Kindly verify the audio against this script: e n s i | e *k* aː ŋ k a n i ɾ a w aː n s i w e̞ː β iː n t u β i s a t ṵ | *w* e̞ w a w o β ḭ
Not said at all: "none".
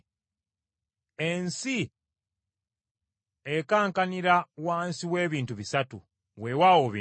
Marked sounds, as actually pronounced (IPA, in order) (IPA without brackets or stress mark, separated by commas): k, w